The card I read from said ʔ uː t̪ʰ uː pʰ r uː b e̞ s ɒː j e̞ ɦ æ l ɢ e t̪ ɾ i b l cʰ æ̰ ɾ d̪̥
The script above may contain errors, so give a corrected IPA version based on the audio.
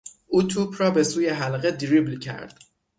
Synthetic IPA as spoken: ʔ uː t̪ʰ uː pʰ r ɒː b e̞ s uː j e̞ ɦ æ l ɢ e d̪ ɾ i b l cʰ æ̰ ɾ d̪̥